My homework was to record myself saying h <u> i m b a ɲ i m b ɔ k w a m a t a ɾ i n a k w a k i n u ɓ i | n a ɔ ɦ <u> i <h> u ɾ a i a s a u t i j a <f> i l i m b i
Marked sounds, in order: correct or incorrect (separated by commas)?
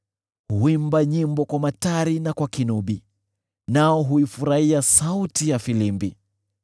correct, correct, incorrect, correct